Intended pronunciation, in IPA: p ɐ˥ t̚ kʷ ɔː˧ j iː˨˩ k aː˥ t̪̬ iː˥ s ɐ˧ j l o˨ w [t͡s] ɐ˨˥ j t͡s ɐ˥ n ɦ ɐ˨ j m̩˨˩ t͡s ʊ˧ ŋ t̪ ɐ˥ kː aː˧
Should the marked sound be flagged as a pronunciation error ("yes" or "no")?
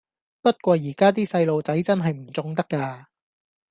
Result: no